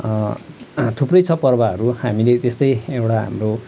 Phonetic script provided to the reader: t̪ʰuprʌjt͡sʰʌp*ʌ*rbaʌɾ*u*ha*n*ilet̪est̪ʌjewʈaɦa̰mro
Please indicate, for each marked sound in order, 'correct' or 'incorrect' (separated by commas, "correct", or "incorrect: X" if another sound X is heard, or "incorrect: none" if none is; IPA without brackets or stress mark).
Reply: correct, correct, incorrect: m